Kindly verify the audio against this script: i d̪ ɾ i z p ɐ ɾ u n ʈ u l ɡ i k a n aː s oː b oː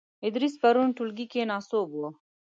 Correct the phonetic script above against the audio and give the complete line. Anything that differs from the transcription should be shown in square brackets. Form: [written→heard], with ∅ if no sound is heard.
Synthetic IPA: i d̪ ɾ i [z→s] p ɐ ɾ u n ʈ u l ɡ i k [a→e] n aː s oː b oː